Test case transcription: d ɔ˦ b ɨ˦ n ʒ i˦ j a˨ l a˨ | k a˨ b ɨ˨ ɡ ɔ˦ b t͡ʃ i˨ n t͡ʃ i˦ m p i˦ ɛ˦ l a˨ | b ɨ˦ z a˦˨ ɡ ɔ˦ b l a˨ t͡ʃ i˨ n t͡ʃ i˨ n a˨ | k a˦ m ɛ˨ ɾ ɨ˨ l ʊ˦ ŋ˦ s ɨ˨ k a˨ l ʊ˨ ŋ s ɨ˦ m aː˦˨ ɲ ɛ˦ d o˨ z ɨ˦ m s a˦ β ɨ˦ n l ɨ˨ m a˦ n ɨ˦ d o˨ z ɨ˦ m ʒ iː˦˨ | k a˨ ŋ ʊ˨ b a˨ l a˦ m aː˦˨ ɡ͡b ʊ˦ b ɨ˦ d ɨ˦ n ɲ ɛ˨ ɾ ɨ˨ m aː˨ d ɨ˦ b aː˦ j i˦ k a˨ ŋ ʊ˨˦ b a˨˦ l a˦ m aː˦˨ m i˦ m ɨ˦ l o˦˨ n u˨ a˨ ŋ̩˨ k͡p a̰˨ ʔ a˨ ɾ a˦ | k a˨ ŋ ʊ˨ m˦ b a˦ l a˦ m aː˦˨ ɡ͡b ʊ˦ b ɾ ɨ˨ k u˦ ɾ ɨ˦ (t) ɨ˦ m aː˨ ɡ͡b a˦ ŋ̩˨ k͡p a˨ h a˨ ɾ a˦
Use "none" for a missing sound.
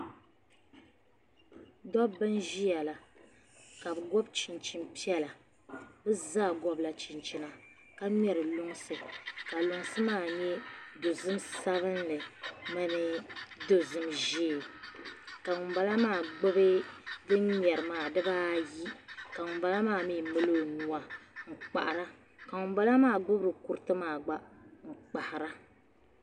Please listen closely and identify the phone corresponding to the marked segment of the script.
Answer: t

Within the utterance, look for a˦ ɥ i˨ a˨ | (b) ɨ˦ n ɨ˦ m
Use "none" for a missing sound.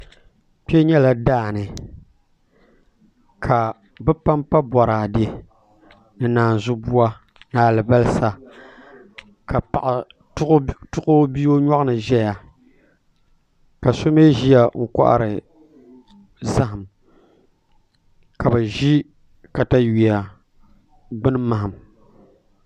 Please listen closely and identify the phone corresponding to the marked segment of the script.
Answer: ɡ͡b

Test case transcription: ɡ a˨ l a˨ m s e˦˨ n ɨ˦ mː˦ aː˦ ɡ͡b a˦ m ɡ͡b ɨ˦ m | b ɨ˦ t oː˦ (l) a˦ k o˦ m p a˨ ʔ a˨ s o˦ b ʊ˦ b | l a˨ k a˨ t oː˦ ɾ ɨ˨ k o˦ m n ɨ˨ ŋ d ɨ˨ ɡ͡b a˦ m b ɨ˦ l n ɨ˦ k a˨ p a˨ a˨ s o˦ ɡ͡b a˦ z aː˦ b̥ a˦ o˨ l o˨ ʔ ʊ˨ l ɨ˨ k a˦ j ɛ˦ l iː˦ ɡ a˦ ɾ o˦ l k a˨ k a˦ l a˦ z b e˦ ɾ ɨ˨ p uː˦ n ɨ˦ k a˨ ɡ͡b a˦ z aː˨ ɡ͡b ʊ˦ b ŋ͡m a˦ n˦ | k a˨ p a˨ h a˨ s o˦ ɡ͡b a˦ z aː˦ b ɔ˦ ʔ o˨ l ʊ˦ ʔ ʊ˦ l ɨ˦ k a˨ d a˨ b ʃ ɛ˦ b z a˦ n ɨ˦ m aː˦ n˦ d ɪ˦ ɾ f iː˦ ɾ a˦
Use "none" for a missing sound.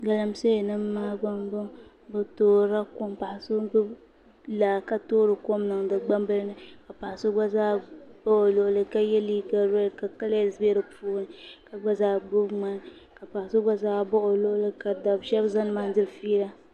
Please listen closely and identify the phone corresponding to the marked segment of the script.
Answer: ɾ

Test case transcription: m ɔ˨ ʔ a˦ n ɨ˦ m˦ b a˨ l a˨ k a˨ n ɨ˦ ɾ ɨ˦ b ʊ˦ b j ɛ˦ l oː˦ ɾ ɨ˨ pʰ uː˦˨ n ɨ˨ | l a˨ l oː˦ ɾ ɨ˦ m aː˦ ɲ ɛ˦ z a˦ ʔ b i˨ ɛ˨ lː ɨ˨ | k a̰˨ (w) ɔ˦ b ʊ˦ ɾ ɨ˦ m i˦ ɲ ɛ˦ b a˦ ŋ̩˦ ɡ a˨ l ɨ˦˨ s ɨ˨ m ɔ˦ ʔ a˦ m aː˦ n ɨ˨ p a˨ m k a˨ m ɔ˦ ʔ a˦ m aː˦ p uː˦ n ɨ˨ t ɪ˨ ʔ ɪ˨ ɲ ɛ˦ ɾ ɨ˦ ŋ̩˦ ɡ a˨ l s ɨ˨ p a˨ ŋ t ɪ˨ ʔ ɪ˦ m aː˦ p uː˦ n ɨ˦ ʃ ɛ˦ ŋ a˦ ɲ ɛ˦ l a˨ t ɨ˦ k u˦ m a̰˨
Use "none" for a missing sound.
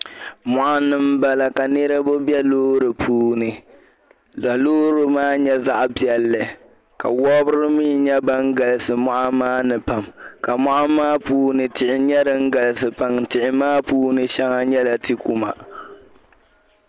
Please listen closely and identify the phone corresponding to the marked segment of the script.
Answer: w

